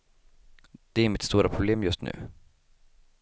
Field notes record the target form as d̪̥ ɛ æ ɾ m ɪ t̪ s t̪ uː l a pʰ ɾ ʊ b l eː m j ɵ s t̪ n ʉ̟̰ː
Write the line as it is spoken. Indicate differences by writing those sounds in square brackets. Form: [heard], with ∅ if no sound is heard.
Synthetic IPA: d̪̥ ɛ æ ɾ m ɪ t̪ s t̪ uː [ɾ] a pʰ ɾ ʊ b l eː m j ɵ s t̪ n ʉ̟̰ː